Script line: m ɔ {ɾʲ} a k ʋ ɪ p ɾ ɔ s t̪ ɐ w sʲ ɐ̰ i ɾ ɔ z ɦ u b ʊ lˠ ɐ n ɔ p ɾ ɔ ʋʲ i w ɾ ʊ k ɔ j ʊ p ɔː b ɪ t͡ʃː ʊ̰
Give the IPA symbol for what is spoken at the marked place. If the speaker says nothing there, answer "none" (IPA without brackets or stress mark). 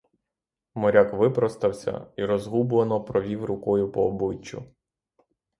ɾʲ